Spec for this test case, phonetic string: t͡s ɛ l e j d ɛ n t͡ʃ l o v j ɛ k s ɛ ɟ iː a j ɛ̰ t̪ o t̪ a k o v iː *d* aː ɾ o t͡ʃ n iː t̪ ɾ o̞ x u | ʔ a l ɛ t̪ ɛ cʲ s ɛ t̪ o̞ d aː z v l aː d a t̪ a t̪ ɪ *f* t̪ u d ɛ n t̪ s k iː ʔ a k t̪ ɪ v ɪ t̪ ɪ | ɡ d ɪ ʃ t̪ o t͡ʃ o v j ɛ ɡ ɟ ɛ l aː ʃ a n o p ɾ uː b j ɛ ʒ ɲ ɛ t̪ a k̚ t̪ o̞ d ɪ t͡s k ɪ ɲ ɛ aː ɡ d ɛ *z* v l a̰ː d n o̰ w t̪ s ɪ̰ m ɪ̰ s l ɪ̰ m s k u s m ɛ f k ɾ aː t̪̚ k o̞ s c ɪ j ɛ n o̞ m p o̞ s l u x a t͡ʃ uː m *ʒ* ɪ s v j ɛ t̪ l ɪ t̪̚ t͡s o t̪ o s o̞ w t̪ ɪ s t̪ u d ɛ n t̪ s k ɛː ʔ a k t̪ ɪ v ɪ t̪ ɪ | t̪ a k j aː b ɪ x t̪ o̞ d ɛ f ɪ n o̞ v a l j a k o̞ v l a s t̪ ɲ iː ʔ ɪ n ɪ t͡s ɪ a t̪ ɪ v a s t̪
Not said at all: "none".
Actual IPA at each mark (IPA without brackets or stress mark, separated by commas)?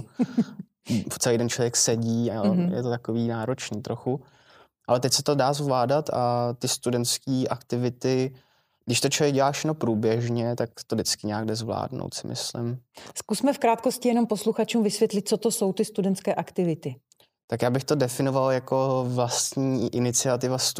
n, s, z, v